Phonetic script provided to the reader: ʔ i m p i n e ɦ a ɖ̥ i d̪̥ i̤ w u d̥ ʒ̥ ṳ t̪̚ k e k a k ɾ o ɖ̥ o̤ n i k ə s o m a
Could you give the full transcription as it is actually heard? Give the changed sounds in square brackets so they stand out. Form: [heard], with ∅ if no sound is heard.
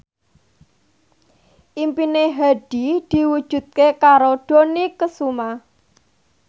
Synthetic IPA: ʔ i m p i n e ɦ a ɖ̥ i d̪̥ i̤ w u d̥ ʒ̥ ṳ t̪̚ k e k a [∅] ɾ o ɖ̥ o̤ n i k ə s [u] m a

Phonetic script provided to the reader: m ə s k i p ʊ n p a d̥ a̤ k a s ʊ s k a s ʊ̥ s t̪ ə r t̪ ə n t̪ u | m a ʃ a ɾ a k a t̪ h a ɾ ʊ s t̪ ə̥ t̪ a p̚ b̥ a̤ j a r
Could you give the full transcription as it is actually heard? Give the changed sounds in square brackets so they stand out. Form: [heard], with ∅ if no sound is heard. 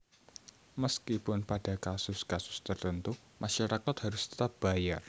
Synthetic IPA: m ə s k i p ʊ n p a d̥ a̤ k a s ʊ s k a s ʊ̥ s t̪ ə r t̪ ə n t̪ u | m a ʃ a ɾ a k a t̪ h a ɾ ʊ s t̪ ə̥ t̪ a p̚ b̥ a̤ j a r

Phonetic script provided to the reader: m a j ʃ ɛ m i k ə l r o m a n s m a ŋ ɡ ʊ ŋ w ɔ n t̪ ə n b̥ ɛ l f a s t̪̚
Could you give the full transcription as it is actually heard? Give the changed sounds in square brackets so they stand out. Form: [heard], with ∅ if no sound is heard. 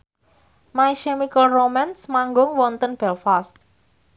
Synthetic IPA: m a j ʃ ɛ m i k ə l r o m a n s m a ŋ ɡ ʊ ŋ w ɔ n t̪ ə n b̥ ɛ l f a s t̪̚

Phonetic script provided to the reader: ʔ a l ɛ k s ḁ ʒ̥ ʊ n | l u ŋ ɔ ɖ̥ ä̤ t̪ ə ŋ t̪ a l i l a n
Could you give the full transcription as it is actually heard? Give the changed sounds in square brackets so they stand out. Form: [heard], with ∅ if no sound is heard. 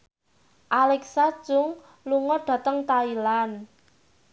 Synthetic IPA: ʔ a l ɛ k s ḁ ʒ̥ ʊ [ŋ] | l u ŋ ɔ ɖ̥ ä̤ t̪ ə ŋ t̪ a [∅] i l a n

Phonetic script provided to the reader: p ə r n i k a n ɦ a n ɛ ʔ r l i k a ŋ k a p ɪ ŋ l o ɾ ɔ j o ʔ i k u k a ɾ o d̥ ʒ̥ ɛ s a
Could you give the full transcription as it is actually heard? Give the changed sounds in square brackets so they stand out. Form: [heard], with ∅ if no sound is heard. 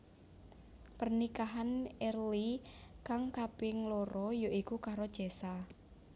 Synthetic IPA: p ə r n i k a [∅] ɦ a n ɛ [∅] r l i k a ŋ k a p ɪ ŋ l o ɾ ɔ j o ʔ i k u k a ɾ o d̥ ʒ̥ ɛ s a

